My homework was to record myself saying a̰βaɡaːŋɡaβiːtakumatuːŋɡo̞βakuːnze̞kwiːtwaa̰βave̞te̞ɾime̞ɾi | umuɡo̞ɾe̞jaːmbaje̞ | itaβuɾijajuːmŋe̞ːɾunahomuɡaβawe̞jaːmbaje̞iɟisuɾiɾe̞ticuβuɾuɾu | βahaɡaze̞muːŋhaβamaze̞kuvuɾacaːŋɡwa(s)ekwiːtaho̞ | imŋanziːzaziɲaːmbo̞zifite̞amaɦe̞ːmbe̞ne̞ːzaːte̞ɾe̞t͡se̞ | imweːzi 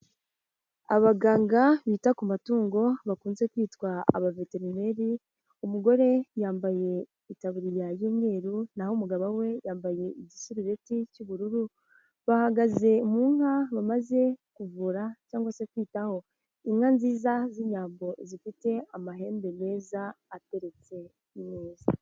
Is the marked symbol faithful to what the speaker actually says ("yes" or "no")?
yes